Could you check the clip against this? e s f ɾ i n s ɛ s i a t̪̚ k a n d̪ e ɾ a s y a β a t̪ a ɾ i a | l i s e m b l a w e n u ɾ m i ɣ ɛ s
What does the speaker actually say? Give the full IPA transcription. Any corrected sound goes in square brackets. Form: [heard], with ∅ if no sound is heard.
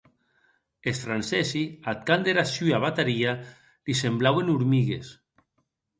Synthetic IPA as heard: e s f ɾ [a] n s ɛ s i a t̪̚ k a n d̪ e ɾ a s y a β a t̪ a ɾ i a | l i s e m b l a w e n u ɾ m i ɣ [e] s